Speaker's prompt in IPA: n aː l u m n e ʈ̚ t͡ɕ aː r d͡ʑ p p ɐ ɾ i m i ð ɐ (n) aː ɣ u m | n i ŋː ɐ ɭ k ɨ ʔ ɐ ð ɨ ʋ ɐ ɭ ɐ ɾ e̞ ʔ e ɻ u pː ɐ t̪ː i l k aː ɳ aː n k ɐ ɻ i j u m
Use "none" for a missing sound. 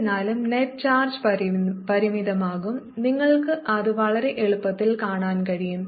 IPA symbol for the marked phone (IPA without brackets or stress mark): m